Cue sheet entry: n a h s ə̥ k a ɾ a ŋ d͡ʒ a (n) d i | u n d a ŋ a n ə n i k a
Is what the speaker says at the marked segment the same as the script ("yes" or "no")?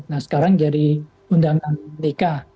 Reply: no